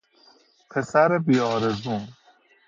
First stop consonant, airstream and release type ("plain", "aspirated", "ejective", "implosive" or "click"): aspirated